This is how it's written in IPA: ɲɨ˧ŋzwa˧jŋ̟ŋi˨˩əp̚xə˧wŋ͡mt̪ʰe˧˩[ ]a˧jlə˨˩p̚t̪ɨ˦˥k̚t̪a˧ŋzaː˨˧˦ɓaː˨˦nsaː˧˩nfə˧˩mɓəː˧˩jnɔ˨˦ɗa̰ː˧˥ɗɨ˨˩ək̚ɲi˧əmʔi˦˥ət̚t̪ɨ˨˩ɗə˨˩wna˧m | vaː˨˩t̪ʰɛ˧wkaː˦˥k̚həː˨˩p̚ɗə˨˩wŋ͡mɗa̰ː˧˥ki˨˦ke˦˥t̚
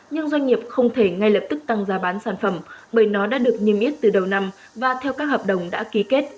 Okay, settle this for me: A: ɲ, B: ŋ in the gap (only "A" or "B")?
B